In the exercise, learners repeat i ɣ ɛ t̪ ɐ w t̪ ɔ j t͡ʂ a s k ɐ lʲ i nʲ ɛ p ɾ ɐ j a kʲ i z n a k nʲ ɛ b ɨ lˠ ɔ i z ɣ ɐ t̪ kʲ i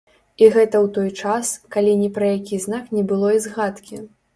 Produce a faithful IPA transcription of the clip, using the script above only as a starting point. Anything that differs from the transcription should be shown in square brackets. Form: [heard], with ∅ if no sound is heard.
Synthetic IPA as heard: i ɣ ɛ t̪ ɐ w t̪ ɔ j t͡ʂ a s k [a] lʲ i nʲ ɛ p ɾ ɐ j a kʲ i z n a k nʲ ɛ b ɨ lˠ ɔ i z ɣ [a] t̪ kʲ i

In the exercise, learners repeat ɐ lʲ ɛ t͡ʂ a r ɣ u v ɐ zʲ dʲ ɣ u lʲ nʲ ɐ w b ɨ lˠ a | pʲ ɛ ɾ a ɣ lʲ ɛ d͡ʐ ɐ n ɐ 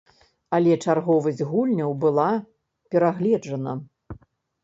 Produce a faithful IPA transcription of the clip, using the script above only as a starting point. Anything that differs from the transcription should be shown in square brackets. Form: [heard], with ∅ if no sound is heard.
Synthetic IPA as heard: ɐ lʲ ɛ t͡ʂ a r ɣ [ɔ] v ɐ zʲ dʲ ɣ u lʲ nʲ ɐ w b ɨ lˠ a | pʲ ɛ ɾ a ɣ lʲ ɛ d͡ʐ ɐ n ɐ

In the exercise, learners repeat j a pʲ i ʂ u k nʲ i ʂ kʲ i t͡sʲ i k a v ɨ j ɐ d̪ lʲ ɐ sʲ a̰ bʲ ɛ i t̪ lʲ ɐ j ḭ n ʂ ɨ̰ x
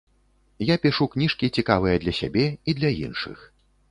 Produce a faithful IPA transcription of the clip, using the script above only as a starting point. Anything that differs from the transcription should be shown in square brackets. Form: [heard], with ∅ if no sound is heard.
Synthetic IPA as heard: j a pʲ i ʂ u k nʲ i ʂ kʲ i t͡sʲ i k a v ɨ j ɐ d̪ lʲ ɐ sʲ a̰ bʲ ɛ i [d̪] lʲ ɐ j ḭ n ʂ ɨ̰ x

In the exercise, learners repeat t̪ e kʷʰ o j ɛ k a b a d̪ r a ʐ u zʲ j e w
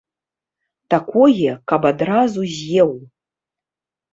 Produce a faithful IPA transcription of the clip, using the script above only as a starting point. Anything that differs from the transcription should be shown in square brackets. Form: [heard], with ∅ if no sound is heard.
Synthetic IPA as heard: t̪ [a] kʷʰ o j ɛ k a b a d̪ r a [z] u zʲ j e w

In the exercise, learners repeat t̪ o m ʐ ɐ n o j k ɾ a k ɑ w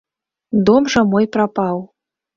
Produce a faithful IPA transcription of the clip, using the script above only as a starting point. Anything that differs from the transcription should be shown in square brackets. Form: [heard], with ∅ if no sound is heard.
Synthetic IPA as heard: [d̪] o m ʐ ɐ [m] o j [p] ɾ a [p] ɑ w

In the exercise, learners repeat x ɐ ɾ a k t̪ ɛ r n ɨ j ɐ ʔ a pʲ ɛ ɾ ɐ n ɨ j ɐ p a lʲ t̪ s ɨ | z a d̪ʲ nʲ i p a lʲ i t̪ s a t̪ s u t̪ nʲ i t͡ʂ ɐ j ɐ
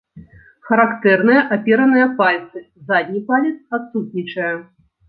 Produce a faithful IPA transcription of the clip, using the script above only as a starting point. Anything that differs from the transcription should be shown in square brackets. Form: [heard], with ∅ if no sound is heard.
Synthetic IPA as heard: x ɐ ɾ a k t̪ ɛ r n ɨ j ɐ ʔ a pʲ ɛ ɾ ɐ n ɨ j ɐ p a lʲ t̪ s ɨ | z a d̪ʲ nʲ i p a lʲ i t̪ s a t̪ s u t̪ nʲ i t͡ʂ ɐ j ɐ

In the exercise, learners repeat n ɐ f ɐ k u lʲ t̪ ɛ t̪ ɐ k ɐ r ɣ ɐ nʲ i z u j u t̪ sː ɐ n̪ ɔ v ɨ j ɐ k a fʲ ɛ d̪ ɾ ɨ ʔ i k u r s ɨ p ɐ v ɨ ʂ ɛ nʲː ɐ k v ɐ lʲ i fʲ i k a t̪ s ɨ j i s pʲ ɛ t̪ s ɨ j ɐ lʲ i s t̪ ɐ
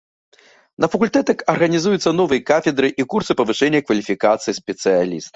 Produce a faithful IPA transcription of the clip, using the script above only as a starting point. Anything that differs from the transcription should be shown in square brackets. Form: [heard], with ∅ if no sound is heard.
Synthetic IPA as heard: n ɐ f ɐ k u lʲ t̪ ɛ t̪ ɐ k ɐ r ɣ ɐ nʲ i z u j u t̪ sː ɐ n̪ ɔ v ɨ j ɐ k a fʲ ɛ d̪ ɾ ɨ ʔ i k u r s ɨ p ɐ v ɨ ʂ ɛ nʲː ɐ k v ɐ lʲ i fʲ i k a t̪ s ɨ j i s pʲ ɛ t̪ s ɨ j [a] lʲ i s t̪ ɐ

